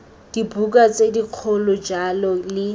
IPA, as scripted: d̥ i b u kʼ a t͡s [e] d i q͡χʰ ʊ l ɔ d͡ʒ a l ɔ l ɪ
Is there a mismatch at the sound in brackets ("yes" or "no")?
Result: no